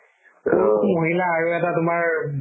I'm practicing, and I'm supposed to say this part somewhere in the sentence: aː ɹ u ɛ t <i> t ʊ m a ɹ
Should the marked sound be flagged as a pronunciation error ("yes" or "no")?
yes